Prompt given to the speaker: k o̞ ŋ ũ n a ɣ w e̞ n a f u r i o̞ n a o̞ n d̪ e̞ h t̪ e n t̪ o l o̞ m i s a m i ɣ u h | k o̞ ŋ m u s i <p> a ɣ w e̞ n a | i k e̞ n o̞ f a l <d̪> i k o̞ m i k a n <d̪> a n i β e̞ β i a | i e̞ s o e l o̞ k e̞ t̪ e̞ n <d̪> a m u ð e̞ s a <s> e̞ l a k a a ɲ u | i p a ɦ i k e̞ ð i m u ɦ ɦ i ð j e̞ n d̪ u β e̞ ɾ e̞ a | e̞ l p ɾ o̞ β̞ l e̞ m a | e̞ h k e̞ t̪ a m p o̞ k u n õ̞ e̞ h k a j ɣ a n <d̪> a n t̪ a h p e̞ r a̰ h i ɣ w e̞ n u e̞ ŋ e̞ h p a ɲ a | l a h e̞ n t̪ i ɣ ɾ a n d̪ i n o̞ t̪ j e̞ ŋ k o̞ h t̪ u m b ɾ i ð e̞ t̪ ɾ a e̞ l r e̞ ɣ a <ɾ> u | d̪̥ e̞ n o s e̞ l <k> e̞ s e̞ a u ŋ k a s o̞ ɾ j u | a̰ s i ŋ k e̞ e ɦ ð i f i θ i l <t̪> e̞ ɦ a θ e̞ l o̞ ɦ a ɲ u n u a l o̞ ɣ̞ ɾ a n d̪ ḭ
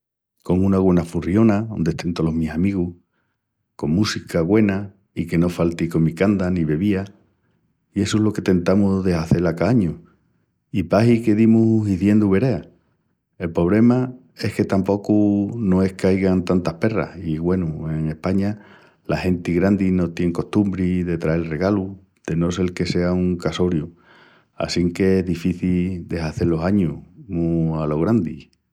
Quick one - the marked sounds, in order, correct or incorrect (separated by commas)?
incorrect, incorrect, correct, incorrect, incorrect, incorrect, incorrect, correct, incorrect